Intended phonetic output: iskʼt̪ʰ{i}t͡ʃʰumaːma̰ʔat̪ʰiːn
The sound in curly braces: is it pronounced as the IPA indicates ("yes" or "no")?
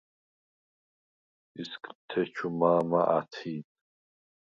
no